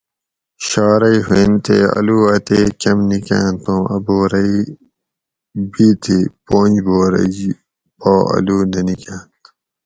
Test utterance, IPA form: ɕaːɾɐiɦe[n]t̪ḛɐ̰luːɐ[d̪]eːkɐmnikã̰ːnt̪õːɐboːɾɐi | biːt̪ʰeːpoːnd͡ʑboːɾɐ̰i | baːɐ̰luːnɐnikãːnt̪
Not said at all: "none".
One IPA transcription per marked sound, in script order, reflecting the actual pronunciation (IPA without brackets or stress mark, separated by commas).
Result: n, t̪